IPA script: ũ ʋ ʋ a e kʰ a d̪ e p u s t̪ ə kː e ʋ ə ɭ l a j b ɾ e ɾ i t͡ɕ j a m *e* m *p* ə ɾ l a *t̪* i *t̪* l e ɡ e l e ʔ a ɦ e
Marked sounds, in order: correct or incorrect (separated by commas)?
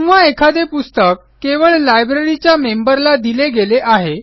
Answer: correct, incorrect, incorrect, incorrect